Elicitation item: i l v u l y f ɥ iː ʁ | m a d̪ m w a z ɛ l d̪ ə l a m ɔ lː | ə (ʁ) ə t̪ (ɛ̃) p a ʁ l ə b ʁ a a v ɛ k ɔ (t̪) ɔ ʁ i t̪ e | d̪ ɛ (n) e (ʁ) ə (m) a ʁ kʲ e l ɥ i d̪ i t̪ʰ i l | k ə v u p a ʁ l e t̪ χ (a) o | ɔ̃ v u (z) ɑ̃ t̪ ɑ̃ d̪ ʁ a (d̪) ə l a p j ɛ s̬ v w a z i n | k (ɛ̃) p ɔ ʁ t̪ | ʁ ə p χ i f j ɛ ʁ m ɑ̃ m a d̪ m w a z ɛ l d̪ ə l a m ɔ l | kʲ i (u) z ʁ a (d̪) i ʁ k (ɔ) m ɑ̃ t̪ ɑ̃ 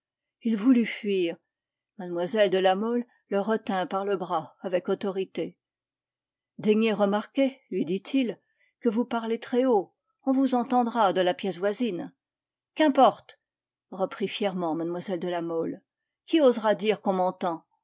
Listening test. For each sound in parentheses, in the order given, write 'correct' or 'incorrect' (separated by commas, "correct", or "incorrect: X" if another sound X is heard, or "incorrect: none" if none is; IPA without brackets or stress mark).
correct, correct, correct, incorrect: ɲ, correct, correct, incorrect: ɛ, correct, correct, correct, incorrect: o, correct, incorrect: ɔ̃